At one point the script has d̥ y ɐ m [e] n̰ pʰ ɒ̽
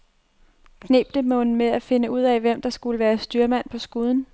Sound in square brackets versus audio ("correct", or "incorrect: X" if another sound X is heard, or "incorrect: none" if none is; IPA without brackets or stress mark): incorrect: æ